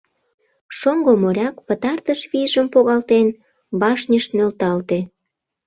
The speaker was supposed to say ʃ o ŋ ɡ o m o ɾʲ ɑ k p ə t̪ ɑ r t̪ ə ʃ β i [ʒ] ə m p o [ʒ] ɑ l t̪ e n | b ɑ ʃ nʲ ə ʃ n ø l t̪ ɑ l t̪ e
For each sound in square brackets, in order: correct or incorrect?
correct, incorrect: ɣ

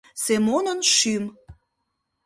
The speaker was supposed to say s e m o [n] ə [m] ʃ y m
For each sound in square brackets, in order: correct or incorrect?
correct, incorrect: n

